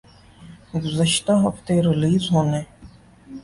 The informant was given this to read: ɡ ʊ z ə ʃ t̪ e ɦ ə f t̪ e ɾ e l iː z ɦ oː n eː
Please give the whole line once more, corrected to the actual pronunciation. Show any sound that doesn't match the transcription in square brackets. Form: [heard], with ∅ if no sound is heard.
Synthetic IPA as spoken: ɡ ʊ z ə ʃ t̪ [a] ɦ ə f t̪ e ɾ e l iː z ɦ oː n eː